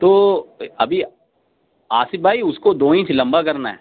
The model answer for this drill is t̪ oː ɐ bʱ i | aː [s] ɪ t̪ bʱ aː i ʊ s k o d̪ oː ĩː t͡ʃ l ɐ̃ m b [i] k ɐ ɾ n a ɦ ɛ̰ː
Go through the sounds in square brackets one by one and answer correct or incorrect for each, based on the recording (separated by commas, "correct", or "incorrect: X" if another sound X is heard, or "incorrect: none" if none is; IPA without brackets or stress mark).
correct, incorrect: a